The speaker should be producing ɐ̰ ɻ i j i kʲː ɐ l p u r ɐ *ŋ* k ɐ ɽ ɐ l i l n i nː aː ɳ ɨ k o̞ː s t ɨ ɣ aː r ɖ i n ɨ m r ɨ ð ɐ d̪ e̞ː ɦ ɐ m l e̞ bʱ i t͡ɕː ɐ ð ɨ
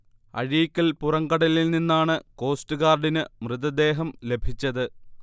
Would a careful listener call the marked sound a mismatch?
no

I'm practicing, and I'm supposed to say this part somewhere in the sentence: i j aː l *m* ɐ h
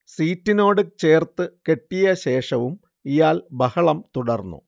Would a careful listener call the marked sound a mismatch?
yes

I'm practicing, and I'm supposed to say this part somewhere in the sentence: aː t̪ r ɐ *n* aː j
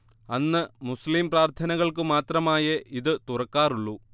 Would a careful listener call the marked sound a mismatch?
yes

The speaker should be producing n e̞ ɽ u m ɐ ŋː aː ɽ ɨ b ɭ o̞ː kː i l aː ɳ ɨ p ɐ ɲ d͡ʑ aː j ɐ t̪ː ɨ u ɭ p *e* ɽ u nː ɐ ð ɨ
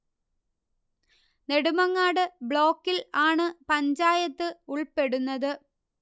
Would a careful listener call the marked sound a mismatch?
no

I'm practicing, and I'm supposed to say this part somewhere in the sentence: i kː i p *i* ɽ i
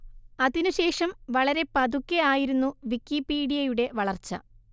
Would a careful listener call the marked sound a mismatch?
yes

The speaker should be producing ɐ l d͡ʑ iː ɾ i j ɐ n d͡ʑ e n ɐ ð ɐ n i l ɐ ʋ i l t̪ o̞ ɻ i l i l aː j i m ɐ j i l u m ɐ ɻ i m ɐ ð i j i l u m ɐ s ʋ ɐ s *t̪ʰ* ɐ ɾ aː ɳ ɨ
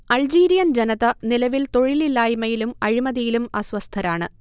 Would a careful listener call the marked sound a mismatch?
no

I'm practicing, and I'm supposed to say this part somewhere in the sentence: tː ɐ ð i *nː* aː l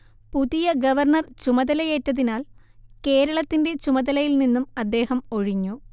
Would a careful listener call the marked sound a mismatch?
yes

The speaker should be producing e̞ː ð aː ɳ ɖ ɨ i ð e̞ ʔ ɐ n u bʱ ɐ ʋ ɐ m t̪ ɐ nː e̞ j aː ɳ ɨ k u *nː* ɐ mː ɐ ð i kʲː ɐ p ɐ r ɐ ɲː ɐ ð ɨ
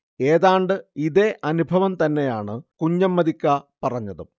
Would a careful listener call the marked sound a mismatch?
yes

